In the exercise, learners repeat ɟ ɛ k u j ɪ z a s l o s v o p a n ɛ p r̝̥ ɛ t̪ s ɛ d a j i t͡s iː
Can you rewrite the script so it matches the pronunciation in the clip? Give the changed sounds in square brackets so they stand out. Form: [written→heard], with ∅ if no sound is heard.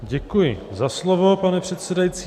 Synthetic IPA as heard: ɟ ɛ k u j ɪ z a s l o [s→∅] v o p a n ɛ p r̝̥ ɛ t̪ s ɛ d a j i t͡s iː